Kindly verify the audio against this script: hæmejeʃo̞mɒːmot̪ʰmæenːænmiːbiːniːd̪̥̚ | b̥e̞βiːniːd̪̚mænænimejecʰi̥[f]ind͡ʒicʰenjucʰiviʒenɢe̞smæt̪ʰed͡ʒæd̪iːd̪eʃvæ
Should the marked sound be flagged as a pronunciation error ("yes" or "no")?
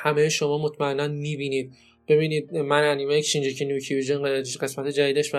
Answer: yes